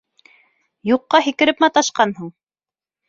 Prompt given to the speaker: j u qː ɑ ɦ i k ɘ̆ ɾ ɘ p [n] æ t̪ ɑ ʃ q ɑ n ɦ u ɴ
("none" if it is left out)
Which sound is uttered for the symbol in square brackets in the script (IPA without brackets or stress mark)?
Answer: m